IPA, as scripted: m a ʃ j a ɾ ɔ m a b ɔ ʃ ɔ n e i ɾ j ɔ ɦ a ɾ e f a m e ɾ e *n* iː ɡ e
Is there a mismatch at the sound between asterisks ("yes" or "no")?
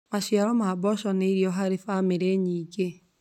yes